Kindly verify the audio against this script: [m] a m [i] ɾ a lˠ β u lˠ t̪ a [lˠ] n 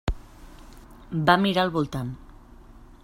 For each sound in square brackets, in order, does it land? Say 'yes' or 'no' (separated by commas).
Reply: no, yes, no